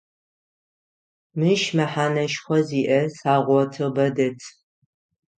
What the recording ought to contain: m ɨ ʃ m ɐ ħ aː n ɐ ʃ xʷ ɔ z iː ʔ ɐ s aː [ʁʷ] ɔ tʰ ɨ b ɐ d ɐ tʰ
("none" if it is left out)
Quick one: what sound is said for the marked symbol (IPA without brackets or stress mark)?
ʁʷ